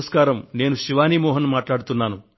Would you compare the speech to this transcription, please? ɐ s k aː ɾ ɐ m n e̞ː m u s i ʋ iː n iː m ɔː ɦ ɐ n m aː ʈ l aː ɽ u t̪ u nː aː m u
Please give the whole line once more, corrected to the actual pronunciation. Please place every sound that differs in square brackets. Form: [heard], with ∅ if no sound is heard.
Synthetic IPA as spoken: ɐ s k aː ɾ ɐ m n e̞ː [n] u [ʃ] i ʋ [aː] n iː m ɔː ɦ ɐ n m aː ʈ l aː ɽ u t̪ u nː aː [n] u